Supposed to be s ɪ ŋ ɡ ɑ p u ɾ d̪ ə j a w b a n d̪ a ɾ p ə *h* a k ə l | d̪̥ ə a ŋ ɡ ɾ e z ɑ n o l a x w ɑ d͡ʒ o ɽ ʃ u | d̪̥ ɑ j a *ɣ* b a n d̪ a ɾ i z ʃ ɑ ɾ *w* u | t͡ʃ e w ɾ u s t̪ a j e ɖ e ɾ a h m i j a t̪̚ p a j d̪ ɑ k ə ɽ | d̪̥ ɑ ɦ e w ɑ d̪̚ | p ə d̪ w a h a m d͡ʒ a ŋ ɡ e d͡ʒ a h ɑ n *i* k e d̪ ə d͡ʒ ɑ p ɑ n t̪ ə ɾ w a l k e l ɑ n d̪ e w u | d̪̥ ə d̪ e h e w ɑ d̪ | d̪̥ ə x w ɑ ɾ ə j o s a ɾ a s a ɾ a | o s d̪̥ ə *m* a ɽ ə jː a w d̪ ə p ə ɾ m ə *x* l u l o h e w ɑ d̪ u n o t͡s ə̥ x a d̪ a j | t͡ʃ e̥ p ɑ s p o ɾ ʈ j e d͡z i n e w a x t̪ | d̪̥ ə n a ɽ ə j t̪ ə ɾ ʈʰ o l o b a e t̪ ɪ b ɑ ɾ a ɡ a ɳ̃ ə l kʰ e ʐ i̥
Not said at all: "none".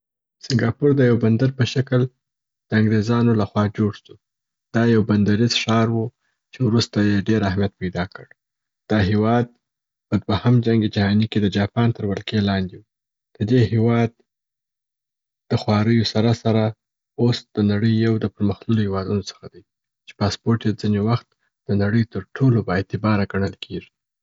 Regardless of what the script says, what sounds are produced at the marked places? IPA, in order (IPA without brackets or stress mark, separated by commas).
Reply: ʃ, w, w, i, n, x